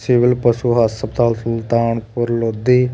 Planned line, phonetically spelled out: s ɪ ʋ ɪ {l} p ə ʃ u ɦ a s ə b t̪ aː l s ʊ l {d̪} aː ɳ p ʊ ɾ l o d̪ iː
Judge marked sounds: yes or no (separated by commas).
yes, no